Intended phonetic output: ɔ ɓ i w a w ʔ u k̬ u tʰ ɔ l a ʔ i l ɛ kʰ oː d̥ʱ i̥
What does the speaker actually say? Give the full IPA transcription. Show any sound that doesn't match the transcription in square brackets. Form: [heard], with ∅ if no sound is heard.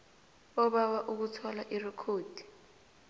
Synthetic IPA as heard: ɔ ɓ [a] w a [∅] ʔ u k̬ u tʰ ɔ l a ʔ i [r] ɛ kʰ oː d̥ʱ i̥